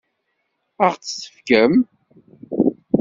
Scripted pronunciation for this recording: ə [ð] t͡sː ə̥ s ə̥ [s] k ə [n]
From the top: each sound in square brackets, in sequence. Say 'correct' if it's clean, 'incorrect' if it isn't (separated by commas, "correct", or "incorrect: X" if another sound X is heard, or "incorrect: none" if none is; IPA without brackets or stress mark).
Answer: incorrect: ʁ, incorrect: f, incorrect: m